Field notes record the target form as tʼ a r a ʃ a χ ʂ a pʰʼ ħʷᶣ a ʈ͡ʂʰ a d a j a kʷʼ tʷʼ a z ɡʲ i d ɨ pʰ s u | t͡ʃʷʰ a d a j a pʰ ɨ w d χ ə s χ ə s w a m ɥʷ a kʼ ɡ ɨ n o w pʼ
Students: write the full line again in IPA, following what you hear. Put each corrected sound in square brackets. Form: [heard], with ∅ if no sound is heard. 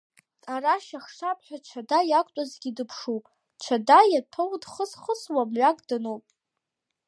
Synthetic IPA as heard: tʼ a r a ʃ a χ ʂ a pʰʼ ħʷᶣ a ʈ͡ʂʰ a d a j a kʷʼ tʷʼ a z ɡʲ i d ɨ pʰ [ʂ] u | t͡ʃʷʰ a d a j a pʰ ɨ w d χ ə s χ ə s w a m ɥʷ a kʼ [d] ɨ n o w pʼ